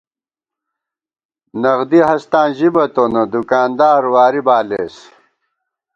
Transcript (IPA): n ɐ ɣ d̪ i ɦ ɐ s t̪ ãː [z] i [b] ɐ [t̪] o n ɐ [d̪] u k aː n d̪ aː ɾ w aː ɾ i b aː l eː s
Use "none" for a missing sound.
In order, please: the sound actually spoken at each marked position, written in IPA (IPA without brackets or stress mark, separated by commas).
ʑ, b, t̪, d̪